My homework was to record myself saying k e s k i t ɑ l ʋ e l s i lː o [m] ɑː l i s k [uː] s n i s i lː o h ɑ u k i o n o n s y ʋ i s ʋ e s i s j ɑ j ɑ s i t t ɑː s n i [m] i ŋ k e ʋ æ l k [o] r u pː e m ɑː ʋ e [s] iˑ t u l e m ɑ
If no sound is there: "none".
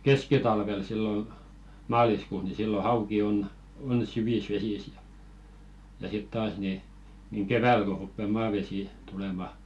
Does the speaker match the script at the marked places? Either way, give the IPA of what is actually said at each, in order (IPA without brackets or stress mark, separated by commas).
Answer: m, uː, n, o, s